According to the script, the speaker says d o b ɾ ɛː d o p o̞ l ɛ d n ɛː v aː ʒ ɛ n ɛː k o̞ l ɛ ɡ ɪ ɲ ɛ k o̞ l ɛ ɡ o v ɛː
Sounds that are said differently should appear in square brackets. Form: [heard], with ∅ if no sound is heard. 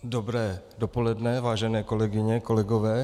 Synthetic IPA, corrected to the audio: d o b ɾ ɛː d o p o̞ l ɛ d n [ɛ] v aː ʒ ɛ n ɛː k o̞ l ɛ ɡ ɪ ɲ ɛ k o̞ l ɛ ɡ o v ɛː